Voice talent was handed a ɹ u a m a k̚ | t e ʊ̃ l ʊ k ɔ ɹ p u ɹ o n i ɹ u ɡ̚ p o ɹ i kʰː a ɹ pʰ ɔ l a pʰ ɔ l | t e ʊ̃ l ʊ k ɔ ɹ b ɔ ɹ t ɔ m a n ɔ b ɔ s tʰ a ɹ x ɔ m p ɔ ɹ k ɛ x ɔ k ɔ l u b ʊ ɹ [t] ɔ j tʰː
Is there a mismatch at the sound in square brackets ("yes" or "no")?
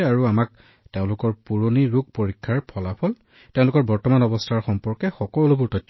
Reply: no